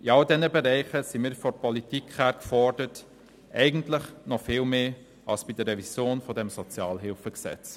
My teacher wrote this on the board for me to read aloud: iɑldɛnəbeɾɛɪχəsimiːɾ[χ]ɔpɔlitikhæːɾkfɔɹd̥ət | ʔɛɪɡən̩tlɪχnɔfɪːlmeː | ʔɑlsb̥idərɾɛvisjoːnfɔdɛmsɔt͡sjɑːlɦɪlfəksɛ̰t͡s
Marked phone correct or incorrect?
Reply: incorrect